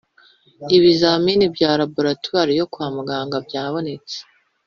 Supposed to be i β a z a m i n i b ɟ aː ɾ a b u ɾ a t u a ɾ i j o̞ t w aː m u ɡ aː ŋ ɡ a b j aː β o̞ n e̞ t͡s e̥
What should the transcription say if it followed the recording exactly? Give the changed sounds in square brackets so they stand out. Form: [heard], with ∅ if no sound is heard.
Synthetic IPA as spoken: i β [i] z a m i n i b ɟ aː ɾ a b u ɾ a t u a ɾ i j o̞ [k] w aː m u ɡ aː ŋ ɡ a b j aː β o̞ n e̞ t͡s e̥